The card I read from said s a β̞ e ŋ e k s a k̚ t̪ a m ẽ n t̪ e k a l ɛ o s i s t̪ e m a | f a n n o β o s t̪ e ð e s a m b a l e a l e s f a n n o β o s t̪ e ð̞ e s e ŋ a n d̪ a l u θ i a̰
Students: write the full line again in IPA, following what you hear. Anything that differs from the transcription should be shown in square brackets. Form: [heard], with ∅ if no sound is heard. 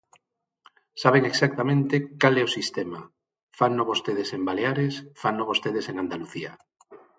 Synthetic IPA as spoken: s a β̞ e ŋ e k s a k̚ t̪ a m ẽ n t̪ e k a l ɛ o s i s t̪ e m a | f a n n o β o s t̪ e ð e s [e] m b a l e a [ɾ] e s f a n n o β o s t̪ e ð̞ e s e ŋ a n d̪ a l u θ i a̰